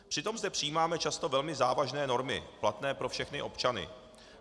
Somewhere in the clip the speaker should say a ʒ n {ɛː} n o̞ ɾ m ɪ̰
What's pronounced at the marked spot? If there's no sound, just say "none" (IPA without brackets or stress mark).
ɛː